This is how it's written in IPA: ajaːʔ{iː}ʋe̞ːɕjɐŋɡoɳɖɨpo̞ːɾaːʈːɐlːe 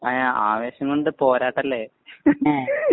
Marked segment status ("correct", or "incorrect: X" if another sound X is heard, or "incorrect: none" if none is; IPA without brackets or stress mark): incorrect: aː